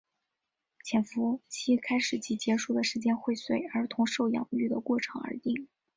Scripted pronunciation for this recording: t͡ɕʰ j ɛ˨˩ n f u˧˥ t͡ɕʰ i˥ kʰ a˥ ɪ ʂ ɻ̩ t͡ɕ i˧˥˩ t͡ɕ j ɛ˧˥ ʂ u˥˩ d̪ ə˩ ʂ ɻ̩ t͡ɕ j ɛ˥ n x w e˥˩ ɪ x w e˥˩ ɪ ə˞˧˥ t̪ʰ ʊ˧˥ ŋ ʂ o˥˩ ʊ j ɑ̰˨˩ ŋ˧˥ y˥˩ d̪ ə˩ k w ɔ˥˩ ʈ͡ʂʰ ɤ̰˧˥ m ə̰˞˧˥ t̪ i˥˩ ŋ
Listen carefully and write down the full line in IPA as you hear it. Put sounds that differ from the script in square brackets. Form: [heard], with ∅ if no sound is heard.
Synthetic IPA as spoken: t͡ɕʰ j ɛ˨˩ n f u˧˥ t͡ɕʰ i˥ kʰ a˥ ɪ ʂ ɻ̩ t͡ɕ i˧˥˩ t͡ɕ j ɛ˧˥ ʂ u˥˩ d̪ ə˩ ʂ ɻ̩ t͡ɕ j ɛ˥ n x w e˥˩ ɪ [s] w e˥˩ ɪ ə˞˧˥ t̪ʰ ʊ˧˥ ŋ ʂ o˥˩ ʊ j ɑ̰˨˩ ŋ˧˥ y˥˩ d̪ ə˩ k w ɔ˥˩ ʈ͡ʂʰ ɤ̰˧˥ [ŋ] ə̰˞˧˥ t̪ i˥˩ ŋ